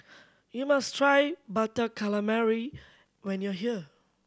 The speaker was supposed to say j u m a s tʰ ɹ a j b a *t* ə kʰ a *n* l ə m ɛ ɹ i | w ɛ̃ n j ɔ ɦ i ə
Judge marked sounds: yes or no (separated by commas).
yes, no